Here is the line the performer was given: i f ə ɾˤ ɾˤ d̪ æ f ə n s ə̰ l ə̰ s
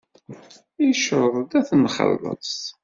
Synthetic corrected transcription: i ʃ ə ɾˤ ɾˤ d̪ æ θ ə n χ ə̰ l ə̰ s